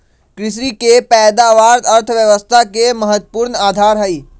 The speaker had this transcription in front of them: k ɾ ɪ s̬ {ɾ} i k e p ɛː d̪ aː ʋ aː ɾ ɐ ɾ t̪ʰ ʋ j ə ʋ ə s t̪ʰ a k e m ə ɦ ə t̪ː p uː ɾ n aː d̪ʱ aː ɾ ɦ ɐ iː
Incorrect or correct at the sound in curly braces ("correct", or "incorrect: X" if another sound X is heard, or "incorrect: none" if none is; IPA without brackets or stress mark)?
correct